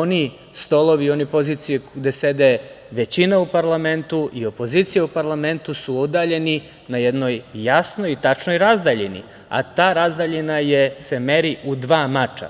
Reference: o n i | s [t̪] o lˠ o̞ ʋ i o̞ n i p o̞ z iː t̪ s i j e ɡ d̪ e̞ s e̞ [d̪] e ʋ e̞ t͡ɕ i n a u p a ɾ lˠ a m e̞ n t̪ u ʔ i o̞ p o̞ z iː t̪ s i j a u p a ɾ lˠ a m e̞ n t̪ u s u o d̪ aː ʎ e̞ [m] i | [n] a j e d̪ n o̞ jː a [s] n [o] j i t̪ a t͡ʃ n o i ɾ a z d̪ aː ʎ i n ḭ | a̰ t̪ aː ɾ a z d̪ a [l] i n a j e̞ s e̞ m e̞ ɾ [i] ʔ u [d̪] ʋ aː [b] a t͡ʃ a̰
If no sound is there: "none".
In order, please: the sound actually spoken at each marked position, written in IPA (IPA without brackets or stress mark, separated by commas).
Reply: t̪, d̪, n, n, s, o, ʎ, i, d̪, m